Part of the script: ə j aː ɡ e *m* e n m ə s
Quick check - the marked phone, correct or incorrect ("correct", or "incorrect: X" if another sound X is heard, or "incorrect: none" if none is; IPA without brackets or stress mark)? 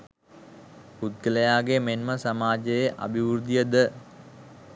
correct